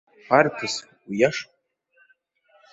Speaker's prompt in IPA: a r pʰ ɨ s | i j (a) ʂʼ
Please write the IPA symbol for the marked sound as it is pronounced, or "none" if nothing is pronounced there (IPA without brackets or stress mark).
a